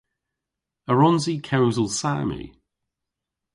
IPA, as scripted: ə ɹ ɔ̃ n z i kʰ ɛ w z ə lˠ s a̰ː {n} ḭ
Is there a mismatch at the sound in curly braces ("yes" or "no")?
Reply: yes